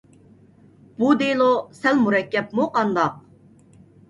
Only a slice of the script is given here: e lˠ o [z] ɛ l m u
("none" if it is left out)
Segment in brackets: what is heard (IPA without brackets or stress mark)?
s